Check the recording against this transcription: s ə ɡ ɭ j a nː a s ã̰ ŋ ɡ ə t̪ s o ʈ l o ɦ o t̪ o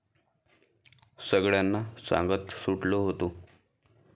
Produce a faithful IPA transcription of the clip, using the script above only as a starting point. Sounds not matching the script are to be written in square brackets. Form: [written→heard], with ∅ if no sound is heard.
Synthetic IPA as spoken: s ə ɡ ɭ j a nː a s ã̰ ŋ ɡ ə t̪ s [o→u] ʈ l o ɦ o t̪ o

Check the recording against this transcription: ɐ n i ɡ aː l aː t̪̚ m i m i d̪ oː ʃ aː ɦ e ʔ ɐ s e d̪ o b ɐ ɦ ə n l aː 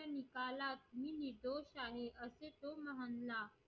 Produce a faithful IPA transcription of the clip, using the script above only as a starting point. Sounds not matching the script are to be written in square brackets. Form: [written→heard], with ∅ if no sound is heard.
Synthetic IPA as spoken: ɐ n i [ɡ→k] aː l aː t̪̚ m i [m→n] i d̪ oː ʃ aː ɦ e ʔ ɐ s e [d̪→t̪] o [b→m] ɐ ɦ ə n l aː

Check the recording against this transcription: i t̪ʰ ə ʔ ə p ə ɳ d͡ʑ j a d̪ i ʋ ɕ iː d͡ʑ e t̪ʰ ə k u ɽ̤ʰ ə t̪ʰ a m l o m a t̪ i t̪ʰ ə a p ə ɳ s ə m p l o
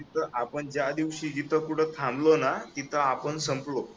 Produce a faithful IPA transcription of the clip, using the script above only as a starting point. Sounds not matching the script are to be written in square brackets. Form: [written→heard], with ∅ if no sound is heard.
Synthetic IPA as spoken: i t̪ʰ ə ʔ [ə→a] p ə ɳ d͡ʑ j a d̪ i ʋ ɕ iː d͡ʑ [e→i] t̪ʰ ə k u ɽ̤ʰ ə t̪ʰ a m l o [m→n] a t̪ i t̪ʰ ə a p ə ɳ s ə m p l o

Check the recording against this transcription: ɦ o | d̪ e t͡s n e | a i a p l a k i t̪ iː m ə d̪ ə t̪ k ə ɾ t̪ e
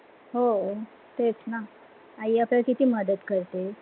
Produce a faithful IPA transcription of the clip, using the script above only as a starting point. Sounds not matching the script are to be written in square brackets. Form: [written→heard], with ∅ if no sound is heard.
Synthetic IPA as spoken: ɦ o | [d̪→t̪] e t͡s n [e→a] | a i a p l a k i t̪ iː m ə d̪ ə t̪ k ə ɾ t̪ e

